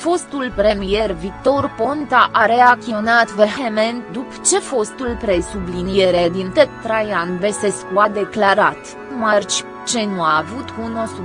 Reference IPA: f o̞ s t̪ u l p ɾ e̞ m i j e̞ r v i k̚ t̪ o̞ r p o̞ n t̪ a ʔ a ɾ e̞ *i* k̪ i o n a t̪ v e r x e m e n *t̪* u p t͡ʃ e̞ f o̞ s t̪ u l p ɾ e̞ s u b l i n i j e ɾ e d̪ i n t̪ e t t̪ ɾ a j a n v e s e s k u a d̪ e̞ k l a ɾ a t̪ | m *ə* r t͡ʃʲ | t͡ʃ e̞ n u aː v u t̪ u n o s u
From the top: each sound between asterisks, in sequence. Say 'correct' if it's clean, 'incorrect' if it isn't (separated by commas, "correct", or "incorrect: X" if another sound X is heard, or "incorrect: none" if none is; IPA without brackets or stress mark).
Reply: incorrect: a, incorrect: d̪, incorrect: a